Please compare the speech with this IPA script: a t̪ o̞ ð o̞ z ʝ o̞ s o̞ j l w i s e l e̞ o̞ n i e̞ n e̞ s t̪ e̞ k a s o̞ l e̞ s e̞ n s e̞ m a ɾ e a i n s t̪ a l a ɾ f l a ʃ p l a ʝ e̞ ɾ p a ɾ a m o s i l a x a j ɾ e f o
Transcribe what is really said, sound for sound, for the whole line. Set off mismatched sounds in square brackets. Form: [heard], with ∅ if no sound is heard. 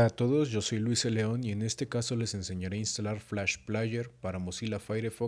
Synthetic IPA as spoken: a t̪ o̞ ð o̞ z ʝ o̞ s o̞ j l w i s e l e̞ o̞ n i e̞ n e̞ s t̪ e̞ k a s o̞ l e̞ s e̞ n s e̞ [ɲ] a ɾ e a i n s t̪ a l a ɾ f l a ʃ p l a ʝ e̞ ɾ p a ɾ a m o s i l a [f] a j ɾ e f o